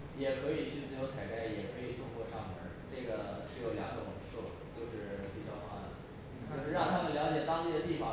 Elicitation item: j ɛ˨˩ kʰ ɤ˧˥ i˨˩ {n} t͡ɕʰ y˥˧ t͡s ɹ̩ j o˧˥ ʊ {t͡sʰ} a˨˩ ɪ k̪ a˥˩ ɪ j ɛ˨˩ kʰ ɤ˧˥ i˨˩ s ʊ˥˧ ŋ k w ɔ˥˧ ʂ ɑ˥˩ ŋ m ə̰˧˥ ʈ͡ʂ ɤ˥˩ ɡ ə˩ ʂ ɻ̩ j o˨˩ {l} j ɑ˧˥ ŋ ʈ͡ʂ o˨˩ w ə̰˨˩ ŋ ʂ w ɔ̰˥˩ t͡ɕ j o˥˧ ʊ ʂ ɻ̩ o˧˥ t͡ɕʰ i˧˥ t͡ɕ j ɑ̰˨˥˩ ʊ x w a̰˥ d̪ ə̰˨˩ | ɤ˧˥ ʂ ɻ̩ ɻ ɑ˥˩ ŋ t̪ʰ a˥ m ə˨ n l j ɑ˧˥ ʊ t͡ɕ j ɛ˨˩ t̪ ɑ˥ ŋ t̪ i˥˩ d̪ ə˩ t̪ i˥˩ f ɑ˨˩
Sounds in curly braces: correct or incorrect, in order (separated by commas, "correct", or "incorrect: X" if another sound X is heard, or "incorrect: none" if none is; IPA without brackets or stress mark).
incorrect: none, correct, correct